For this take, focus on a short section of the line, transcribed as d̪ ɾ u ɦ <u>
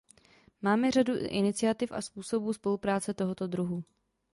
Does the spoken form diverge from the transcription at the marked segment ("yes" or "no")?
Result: no